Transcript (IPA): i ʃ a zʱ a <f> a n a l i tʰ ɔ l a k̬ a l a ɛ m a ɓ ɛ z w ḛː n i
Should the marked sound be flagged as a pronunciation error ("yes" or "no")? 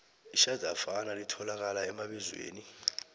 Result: no